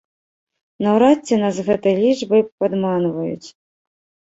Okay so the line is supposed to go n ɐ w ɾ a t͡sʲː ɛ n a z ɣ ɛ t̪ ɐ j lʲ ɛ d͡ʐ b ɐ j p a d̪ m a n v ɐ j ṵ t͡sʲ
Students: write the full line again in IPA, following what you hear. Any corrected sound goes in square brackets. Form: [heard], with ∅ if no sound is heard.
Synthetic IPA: n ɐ w ɾ a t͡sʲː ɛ n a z ɣ ɛ t̪ ɐ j lʲ [i] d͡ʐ b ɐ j p a d̪ m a n v ɐ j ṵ t͡sʲ